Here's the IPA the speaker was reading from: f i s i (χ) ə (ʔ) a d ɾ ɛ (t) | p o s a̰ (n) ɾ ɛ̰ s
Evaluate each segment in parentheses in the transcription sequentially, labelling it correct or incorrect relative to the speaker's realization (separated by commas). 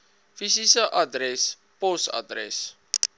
incorrect, correct, incorrect, incorrect